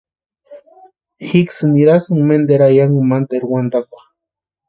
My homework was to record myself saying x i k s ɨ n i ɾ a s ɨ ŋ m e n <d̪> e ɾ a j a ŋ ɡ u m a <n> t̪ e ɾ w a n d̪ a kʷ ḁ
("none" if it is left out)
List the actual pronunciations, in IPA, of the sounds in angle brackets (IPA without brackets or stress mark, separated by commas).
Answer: d̪, n